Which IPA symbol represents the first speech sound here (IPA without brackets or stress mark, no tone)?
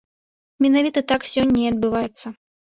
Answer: mʲ